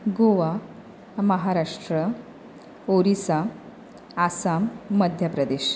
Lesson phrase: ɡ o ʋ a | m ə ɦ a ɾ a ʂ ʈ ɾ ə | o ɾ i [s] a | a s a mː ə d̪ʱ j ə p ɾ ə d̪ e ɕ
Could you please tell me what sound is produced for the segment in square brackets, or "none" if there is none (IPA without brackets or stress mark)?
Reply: s